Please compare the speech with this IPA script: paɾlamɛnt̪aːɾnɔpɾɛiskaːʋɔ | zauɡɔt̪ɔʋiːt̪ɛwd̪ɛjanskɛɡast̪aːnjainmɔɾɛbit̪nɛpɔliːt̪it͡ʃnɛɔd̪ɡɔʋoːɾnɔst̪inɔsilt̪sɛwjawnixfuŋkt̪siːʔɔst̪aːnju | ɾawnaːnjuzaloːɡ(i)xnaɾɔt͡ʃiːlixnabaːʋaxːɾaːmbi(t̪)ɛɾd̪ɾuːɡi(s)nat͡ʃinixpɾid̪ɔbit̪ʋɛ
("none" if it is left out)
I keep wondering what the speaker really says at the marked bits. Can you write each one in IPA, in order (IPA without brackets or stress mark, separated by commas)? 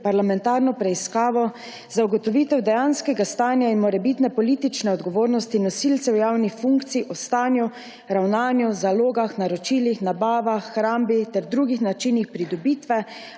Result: a, t̪, x